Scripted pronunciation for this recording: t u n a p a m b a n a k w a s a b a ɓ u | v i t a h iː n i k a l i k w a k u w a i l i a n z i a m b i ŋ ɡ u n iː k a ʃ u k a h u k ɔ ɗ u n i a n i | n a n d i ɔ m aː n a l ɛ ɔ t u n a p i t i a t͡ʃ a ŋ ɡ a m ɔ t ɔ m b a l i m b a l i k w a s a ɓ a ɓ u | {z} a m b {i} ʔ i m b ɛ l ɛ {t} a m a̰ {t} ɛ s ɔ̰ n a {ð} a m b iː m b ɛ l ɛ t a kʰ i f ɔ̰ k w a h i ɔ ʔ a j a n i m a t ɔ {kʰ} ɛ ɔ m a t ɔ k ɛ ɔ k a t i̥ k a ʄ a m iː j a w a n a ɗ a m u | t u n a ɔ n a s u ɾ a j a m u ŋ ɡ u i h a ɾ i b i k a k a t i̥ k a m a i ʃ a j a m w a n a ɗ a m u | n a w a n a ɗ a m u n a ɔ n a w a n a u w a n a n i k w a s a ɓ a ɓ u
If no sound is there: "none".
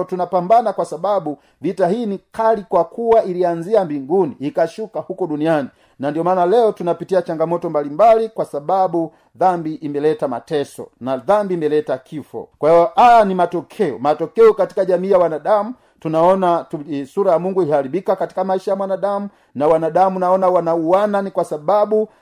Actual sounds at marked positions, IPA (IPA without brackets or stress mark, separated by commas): ð, i, t, t, ð, kʰ